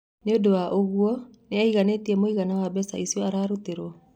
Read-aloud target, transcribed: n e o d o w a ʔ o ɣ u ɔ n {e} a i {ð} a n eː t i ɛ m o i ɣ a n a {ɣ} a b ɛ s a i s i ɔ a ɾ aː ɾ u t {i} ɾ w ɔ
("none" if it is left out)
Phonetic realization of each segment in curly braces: e, ɣ, w, e

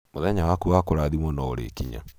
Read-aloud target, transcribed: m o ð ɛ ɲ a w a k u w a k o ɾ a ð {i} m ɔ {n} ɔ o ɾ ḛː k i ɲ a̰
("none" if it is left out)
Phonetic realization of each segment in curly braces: i, n

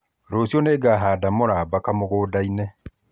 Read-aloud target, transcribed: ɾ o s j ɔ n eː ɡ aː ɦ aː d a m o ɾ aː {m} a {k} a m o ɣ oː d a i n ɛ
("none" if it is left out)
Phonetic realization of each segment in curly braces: b, k

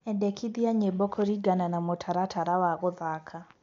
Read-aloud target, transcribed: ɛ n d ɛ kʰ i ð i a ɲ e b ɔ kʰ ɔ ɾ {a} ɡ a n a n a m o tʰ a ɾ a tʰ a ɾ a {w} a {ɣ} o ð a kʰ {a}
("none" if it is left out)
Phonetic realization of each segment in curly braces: i, w, ɣ, a

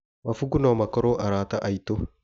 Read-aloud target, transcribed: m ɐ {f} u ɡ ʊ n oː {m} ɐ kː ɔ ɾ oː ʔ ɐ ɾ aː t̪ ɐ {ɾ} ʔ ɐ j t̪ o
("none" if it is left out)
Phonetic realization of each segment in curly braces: f, m, none

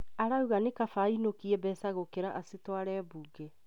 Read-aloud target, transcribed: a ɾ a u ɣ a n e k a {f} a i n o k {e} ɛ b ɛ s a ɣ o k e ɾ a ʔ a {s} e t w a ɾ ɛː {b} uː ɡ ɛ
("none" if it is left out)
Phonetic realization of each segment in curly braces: f, i, s, b

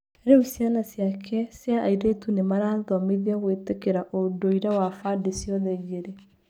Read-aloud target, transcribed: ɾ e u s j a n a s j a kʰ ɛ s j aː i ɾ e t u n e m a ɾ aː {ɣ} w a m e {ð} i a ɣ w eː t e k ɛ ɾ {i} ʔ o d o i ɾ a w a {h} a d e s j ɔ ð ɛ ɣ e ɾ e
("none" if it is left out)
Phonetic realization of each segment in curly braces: ð, ð, a, f

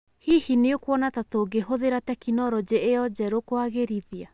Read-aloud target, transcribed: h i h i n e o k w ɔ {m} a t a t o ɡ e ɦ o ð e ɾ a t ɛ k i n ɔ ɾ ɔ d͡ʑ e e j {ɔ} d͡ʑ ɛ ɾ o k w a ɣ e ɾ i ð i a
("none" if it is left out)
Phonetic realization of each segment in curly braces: n, ɔ

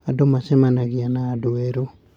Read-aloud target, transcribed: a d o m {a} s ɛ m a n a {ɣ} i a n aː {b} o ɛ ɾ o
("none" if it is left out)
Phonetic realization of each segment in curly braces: a, ɣ, d

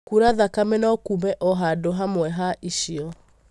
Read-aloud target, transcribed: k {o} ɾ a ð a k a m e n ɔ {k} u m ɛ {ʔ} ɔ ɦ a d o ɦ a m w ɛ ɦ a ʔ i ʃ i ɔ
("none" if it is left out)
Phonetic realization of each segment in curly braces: u, k, ʔ

